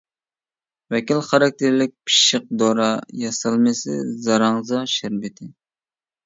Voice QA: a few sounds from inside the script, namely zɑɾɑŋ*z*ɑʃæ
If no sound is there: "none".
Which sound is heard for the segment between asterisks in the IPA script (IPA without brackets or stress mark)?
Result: z